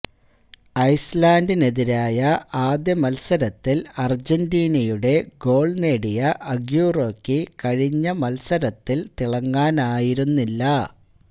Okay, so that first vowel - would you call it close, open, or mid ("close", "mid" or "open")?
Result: open